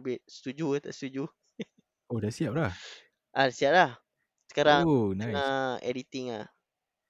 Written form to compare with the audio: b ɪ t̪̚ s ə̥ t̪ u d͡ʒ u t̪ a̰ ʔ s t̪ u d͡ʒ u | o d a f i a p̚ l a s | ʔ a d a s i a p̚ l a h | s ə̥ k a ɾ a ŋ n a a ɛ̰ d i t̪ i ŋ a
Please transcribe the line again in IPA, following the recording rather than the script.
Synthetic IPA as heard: b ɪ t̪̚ s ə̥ t̪ u d͡ʒ u t̪ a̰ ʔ s t̪ u d͡ʒ u | o d a s i a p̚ l a h | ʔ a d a s i a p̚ l a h | s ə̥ k a ɾ a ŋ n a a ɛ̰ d i t̪ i ŋ a